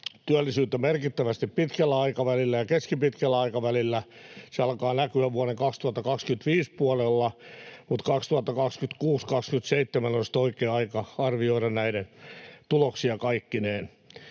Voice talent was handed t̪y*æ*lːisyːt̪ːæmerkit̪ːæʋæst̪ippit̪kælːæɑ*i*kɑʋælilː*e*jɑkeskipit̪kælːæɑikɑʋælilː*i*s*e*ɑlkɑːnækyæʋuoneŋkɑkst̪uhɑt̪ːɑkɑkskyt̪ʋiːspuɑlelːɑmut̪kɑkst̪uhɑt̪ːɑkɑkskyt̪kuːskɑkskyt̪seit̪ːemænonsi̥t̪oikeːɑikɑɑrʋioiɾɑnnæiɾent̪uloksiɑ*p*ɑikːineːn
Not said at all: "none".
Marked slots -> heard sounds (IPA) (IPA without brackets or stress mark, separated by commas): æ, i, æ, æ, e, k